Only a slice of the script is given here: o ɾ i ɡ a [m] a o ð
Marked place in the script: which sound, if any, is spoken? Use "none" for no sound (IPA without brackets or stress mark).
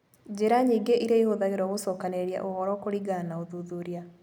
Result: n